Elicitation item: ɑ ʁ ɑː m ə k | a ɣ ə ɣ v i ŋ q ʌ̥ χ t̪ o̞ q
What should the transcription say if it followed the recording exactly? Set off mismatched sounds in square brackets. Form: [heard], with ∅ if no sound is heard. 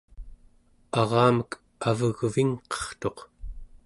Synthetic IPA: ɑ ʁ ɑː m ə k | a [v] ə ɣ v i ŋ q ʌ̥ χ t̪ o̞ q